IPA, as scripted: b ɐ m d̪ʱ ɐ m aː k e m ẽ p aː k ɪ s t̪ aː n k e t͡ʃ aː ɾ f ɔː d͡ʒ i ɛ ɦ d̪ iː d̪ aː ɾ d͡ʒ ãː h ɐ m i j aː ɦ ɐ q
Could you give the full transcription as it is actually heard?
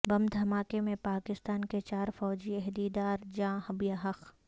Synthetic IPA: b ɐ m d̪ʱ ɐ m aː k e m ẽ p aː k ɪ s t̪ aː n k e t͡ʃ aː ɾ f ɔː d͡ʒ i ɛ ɦ d̪ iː d̪ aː ɾ d͡ʒ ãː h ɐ b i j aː ɦ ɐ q